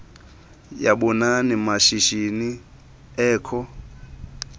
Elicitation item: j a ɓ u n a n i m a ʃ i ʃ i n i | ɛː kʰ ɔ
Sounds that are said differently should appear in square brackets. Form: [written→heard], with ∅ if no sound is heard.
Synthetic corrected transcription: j a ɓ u n a n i m a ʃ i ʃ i n i | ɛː kʰ ɔ